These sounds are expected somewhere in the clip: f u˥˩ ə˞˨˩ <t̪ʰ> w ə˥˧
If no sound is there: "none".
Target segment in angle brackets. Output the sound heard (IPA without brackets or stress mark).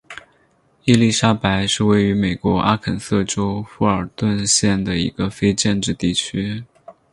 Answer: t̪